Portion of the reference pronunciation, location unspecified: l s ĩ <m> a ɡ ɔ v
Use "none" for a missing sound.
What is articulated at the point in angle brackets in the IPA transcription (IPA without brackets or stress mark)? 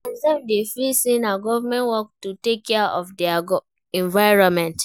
n